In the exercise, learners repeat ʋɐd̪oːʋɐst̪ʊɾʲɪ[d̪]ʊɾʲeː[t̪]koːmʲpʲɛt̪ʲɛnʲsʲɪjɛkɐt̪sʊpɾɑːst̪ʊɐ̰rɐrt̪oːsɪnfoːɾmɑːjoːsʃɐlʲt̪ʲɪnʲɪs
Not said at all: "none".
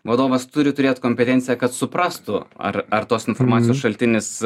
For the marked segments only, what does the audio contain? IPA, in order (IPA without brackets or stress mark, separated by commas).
t̪, t̪